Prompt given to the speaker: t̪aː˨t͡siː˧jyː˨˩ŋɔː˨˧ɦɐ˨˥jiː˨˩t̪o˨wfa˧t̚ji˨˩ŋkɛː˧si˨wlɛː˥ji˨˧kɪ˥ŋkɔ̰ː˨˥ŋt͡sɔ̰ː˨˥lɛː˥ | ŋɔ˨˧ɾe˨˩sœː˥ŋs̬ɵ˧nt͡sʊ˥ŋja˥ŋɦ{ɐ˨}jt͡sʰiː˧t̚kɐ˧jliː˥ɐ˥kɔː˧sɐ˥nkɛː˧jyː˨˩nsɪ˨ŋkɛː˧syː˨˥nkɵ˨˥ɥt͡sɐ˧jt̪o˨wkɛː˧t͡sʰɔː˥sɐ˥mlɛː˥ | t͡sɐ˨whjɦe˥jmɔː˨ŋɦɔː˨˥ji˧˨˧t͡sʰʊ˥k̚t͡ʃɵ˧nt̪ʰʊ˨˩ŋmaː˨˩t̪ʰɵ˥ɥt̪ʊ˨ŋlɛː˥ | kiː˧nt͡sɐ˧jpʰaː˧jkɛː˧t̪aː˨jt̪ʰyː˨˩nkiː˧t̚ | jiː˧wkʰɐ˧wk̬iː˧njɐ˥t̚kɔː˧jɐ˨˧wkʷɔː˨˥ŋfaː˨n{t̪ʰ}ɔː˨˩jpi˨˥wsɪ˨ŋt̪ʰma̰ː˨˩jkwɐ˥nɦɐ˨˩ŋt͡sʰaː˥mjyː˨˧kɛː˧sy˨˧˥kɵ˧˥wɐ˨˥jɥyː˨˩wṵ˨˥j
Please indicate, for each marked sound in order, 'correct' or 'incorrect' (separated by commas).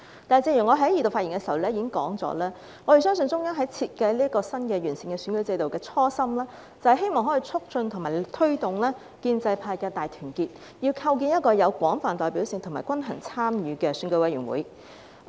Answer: incorrect, incorrect